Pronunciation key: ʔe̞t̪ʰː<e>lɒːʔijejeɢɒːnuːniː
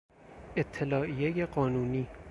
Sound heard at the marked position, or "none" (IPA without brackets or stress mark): e